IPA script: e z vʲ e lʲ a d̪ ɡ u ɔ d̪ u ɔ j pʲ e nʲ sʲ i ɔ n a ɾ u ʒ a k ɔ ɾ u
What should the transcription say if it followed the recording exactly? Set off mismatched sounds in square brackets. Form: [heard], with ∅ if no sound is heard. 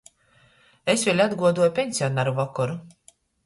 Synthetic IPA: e [s] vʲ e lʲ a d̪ ɡ u ɔ d̪ u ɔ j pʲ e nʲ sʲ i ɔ n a ɾ u [v] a k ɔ ɾ u